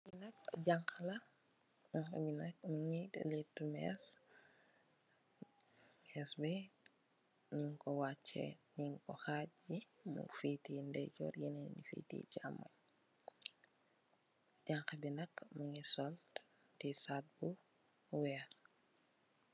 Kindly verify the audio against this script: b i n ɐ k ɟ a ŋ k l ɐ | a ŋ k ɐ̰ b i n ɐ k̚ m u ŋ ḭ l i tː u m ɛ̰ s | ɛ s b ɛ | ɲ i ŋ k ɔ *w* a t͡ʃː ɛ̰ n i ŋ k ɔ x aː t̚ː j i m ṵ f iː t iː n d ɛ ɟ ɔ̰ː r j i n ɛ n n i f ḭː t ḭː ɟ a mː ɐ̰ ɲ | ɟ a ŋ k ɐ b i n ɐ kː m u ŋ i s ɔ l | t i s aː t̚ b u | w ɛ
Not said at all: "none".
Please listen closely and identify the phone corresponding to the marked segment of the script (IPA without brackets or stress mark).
w